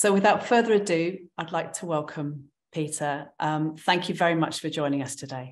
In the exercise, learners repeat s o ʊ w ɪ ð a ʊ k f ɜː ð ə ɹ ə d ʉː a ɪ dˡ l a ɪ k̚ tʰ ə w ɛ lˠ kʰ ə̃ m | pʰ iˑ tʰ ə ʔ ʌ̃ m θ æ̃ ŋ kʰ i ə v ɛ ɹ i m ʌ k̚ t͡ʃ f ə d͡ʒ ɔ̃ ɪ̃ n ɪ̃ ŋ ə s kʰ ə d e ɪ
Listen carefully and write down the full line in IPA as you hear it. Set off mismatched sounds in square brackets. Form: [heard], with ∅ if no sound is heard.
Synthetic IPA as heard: s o ʊ w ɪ ð a ʊ [t] f ɜː ð ə ɹ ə d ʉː a ɪ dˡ l a ɪ k̚ tʰ ə w ɛ lˠ kʰ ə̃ m | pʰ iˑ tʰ ə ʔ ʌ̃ m θ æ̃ ŋ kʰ [j] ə v ɛ ɹ i m ʌ [∅] t͡ʃ f ə d͡ʒ ɔ̃ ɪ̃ n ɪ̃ ŋ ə s [tʰ] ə d e ɪ